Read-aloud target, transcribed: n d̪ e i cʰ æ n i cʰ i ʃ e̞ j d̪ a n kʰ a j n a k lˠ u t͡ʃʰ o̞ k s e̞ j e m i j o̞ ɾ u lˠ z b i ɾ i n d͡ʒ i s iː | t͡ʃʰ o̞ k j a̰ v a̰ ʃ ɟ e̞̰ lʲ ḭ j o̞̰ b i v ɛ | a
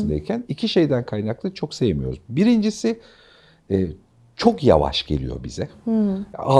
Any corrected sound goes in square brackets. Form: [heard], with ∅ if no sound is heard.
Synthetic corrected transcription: n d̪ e i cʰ æ n i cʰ i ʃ e̞ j d̪ [æ] n kʰ a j n a k lˠ [ɯ] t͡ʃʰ o̞ k s e̞ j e m i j o̞ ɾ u [∅] z b i ɾ i n d͡ʒ i s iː | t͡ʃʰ o̞ k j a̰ v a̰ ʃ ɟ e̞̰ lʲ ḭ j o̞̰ b i [z] ɛ | a